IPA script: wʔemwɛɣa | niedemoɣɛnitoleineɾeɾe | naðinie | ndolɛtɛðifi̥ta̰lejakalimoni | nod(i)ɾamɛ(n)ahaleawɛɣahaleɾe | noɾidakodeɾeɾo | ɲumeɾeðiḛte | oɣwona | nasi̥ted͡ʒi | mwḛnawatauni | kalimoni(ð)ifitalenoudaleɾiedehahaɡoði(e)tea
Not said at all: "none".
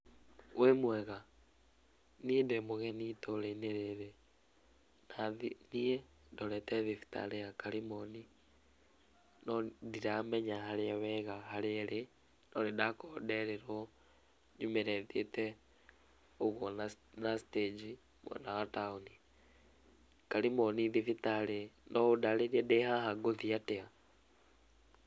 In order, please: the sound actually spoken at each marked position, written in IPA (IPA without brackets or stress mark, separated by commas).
i, ɲ, ð, a